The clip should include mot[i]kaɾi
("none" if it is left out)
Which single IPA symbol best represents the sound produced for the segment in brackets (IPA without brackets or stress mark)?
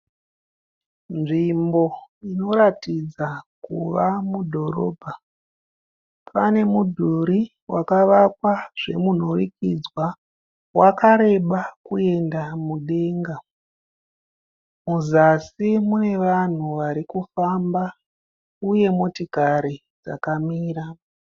i